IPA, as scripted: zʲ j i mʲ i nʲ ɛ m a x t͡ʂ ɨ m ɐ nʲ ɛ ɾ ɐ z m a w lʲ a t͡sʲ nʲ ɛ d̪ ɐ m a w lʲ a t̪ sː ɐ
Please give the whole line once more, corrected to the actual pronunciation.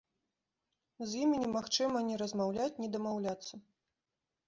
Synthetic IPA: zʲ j i mʲ i nʲ ɛ m a x t͡ʂ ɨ m ɐ nʲ ɛ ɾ ɐ z m a w lʲ a t͡sʲ nʲ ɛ d̪ ɐ m a w lʲ a t̪ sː ɐ